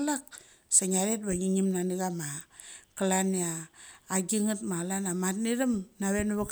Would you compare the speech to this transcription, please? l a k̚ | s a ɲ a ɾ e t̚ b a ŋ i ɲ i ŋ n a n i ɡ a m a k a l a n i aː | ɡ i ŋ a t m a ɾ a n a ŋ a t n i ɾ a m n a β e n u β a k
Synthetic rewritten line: l a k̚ | s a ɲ a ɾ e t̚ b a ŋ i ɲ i m n a n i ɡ a m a k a l a n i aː | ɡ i ŋ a t m a l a n a m a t n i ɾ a m n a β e n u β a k

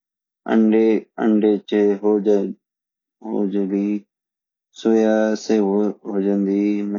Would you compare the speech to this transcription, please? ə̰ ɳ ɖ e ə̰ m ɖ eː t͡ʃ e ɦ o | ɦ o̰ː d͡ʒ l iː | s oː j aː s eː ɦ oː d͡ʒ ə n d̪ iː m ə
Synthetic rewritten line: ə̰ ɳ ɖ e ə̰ ɳ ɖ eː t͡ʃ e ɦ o | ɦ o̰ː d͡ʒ l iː | s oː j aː s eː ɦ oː d͡ʒ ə n d̪ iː m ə

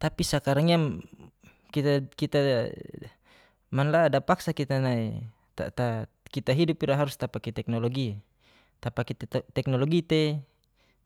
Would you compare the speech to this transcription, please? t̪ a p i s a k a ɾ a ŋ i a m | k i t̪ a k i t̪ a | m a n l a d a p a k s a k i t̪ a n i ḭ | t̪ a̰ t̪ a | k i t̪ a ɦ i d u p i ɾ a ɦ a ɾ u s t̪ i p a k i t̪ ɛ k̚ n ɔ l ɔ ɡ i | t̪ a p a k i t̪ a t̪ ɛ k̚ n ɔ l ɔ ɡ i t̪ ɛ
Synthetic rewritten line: t̪ a p i s a k a ɾ a ŋ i a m | k i t̪ a k i t̪ a | m a n l a d a p a k s a k i t̪ a n a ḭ | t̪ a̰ t̪ a | k i t̪ a ɦ i d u p i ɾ a ɦ a ɾ u s t̪ a p a k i t̪ ɛ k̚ n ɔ l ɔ ɡ i | t̪ a p a k i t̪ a t̪ ɛ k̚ n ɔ l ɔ ɡ i t̪ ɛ

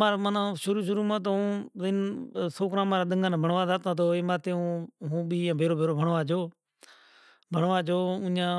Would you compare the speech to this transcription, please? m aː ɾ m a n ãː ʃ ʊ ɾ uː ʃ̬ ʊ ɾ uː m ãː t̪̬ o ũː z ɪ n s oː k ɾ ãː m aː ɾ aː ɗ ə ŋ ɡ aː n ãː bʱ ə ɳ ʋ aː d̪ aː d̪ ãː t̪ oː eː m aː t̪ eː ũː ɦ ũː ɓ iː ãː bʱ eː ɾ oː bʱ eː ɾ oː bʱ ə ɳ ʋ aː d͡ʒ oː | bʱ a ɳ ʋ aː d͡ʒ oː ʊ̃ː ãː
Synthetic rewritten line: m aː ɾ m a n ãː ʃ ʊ ɾ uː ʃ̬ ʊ ɾ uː m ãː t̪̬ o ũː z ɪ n s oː k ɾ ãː m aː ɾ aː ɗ ə ŋ ɡ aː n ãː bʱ ə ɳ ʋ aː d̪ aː t̪ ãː t̪ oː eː m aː t̪ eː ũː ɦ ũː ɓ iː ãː bʱ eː ɾ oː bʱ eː ɾ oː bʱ ə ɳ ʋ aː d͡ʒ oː | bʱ ə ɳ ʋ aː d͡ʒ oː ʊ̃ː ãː

